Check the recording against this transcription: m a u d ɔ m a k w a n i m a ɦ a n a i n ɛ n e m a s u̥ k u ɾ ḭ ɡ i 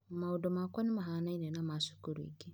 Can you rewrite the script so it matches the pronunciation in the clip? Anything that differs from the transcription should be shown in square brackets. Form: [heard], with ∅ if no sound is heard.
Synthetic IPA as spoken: m a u d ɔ m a k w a n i m a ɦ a n a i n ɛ n [a] m a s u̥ k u ɾ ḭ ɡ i